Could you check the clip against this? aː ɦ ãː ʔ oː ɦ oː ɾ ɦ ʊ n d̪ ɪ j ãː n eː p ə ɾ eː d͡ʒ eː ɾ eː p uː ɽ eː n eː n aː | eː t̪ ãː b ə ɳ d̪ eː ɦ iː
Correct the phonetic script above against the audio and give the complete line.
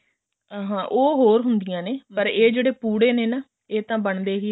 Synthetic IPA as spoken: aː ɦ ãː ʔ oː ɦ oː ɾ ɦ ʊ n d̪ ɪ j ãː n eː p ə ɾ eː d͡ʒ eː ɽ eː p uː ɽ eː n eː n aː | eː t̪ ãː b ə ɳ d̪ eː ɦ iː